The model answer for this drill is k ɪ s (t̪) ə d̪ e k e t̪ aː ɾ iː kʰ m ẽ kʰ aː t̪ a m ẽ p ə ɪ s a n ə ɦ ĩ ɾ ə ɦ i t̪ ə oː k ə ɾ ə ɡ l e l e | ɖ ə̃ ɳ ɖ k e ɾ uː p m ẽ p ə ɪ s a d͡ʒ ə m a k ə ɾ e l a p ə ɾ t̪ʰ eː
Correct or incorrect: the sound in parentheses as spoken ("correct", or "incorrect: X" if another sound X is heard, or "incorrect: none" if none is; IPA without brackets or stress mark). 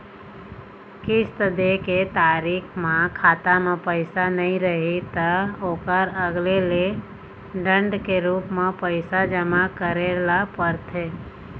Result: correct